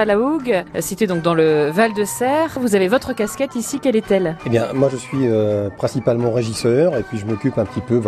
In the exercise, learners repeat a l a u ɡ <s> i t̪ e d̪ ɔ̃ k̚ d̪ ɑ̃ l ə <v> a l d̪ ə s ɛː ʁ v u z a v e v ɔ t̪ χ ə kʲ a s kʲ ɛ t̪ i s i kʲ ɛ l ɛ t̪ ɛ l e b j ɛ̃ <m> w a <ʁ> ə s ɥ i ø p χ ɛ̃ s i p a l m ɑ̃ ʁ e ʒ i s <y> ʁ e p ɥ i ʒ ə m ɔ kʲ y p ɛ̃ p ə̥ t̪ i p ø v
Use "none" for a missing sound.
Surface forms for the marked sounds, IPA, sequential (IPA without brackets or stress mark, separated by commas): s, v, m, ʒ, œ